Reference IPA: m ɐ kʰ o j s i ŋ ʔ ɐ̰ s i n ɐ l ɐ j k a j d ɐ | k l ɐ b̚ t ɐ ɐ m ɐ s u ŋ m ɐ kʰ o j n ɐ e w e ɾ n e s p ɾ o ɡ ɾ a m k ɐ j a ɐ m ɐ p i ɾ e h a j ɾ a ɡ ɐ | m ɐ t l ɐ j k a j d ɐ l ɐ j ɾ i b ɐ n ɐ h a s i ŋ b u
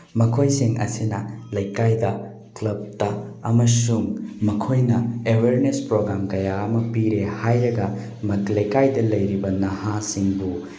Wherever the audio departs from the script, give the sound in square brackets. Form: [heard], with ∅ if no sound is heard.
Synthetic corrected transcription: m ɐ kʰ o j s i ŋ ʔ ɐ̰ s i n ɐ l ɐ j k a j d ɐ | k l ɐ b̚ t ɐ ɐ m ɐ s u ŋ m ɐ kʰ o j n ɐ e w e ɾ n e s p ɾ o ɡ ɾ a m k ɐ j a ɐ m ɐ p i ɾ e h a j ɾ [ɐ] ɡ ɐ | m ɐ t l ɐ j k a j d ɐ l ɐ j ɾ i b ɐ n ɐ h a s i ŋ b u